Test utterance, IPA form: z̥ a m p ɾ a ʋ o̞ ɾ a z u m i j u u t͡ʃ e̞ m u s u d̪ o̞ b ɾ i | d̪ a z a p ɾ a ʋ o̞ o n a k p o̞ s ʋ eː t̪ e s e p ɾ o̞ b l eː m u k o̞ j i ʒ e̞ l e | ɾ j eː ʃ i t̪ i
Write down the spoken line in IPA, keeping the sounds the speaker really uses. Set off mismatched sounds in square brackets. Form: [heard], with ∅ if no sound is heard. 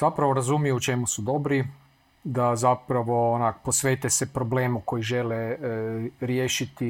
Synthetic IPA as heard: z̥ a [∅] p ɾ a ʋ o̞ ɾ a z u m i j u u t͡ʃ e̞ m u s u d̪ o̞ b ɾ i | d̪ a z a p ɾ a ʋ o̞ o n a k p o̞ s ʋ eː t̪ e s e p ɾ o̞ b l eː m u k o̞ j i ʒ e̞ l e | ɾ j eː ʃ i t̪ i